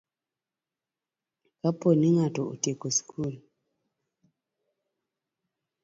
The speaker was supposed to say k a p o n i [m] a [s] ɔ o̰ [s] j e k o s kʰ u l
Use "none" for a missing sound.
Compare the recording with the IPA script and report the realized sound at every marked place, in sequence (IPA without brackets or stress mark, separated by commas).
ŋ, t, t